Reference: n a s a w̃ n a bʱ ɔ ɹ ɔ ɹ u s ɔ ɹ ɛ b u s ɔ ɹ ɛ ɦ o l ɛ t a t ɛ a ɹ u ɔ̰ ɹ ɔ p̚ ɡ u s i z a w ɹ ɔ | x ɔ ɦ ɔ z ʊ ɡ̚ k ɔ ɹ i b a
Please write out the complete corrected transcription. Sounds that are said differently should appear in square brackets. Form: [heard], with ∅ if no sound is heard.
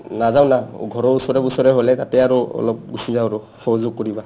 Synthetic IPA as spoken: n a [z] a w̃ n a [ɡʱ] ɔ ɹ ɔ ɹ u s ɔ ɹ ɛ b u s ɔ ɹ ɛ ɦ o l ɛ t a t ɛ a ɹ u ɔ̰ [l] ɔ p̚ ɡ u s i z a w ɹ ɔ | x ɔ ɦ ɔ z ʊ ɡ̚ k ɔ ɹ i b a

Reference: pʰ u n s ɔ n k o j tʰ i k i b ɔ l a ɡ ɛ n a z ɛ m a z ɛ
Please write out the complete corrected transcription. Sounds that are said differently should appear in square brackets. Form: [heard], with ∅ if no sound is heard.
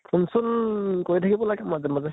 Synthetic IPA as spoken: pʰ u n s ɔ n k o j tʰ [a] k i b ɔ l a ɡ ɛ [m] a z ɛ m a z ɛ

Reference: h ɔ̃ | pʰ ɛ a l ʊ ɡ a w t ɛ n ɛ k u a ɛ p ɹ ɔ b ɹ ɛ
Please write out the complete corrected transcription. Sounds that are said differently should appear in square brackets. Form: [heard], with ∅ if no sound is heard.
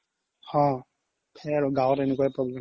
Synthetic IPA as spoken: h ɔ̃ | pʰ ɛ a [ɹ] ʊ ɡ a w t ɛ n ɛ k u a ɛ p ɹ ɔ b [l] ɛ

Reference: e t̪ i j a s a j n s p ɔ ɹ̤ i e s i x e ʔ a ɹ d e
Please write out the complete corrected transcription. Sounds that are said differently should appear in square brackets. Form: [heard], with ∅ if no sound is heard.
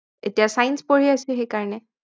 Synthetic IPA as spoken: e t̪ i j a s a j n s p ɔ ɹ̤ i [a] s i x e [k] a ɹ [n] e

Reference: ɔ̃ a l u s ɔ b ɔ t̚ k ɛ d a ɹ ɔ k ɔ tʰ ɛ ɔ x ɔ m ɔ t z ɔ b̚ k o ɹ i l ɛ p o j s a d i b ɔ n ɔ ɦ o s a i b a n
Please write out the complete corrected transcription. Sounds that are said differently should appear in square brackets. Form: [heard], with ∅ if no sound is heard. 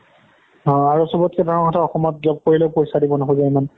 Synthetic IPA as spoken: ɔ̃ a [ɹ] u s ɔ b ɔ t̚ k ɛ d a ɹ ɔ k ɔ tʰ [a] ɔ x ɔ m ɔ t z ɔ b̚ k o ɹ i l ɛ p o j s a d i b ɔ n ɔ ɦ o [z] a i [m] a n

